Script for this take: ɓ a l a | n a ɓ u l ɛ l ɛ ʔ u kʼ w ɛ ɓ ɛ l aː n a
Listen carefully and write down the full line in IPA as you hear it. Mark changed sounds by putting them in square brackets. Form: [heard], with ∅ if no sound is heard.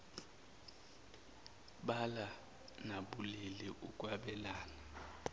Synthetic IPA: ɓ a l a | n a ɓ u l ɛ l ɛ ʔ u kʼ w [a] ɓ ɛ l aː n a